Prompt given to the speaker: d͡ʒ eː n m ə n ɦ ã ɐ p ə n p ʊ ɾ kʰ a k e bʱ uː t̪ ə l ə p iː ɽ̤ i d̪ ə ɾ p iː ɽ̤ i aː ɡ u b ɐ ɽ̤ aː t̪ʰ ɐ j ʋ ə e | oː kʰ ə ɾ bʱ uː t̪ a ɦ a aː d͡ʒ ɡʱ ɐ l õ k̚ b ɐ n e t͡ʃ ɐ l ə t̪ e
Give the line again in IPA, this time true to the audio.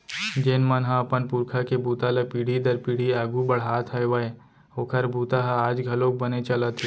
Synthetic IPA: d͡ʒ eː n m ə n ɦ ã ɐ p ə n p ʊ ɾ kʰ a k e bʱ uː t̪ a l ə p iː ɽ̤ i d̪ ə ɾ p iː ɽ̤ i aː ɡ u b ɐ ɽ̤ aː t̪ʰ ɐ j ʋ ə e | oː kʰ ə ɾ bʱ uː t̪ a ɦ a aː d͡ʒ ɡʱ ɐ l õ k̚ b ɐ n e t͡ʃ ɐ l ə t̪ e

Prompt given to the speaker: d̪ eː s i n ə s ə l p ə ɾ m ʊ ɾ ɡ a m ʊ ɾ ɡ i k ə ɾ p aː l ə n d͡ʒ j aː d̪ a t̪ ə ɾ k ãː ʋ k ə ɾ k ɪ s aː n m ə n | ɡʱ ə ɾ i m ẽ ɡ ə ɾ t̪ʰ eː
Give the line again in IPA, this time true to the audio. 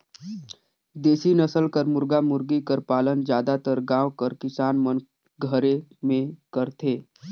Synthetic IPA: d̪ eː s i n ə s ə l k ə ɾ m ʊ ɾ ɡ a m ʊ ɾ ɡ i k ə ɾ p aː l ə n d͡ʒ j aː d̪ a t̪ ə ɾ ɡ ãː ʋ k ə ɾ k ɪ s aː n m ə n | ɡʱ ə ɾ e m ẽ k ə ɾ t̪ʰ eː

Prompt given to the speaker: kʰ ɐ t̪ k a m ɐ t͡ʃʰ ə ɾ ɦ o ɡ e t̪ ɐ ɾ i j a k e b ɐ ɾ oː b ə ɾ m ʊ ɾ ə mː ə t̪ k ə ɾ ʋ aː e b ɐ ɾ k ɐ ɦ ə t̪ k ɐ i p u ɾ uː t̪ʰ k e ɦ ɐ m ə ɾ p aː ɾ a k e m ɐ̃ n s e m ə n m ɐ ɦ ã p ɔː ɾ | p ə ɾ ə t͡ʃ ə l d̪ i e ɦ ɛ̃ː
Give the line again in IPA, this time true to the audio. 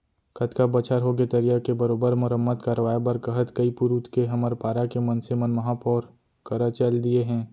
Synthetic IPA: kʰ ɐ t̪ k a b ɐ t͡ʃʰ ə ɾ ɦ o ɡ e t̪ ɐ ɾ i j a k e b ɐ ɾ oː b ə ɾ m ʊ ɾ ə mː ə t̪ k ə ɾ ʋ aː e b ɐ ɾ k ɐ ɦ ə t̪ k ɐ i p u ɾ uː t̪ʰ k e ɦ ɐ m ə ɾ p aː ɾ a k e m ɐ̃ n s e m ə n m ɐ ɦ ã p ɔː ɾ | k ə ɾ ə t͡ʃ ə l d̪ i e ɦ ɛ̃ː

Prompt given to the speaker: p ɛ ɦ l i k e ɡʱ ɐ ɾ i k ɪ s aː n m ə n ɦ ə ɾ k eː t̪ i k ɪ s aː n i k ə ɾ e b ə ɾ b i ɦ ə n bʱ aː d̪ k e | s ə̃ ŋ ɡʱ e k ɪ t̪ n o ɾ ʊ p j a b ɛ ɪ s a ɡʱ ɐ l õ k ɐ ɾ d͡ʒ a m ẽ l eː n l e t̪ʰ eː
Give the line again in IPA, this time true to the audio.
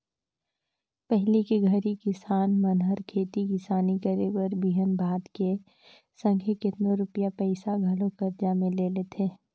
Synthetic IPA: p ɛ ɦ l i k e ɡʱ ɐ ɾ i k ɪ s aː n m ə n ɦ ə ɾ kʰ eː t̪ i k ɪ s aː n i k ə ɾ e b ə ɾ b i ɦ ə n bʱ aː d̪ k e | s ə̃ ŋ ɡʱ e k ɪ t̪ n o ɾ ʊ p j a p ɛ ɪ s a ɡʱ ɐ l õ k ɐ ɾ d͡ʒ a m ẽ l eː l e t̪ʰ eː

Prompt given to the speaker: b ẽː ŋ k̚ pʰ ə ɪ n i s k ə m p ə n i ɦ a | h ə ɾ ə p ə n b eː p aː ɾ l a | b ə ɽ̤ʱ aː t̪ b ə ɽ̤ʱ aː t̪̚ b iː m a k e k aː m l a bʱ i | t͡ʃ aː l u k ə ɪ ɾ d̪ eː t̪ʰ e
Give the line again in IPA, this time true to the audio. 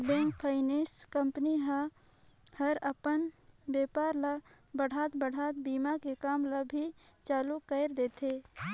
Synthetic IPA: b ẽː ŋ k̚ pʰ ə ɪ n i s k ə m p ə n i ɦ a | h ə ɾ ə p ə n b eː p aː ɾ l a | b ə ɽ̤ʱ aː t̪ b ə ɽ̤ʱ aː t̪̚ b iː m a k e k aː m l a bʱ i | t͡ʃ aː l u k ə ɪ ɾ d̪ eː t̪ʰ e

